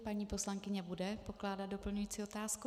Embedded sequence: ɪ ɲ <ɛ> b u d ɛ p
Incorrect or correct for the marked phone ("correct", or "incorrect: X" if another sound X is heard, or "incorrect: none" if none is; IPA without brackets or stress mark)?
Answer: correct